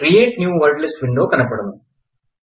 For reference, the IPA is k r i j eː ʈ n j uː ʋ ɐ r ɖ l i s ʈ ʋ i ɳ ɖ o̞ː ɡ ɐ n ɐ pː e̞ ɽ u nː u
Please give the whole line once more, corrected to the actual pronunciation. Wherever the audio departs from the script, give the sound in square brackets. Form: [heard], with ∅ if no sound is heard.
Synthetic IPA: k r i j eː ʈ n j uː ʋ ɐ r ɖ l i s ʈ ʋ i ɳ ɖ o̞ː [k] ɐ n ɐ pː e̞ ɽ u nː u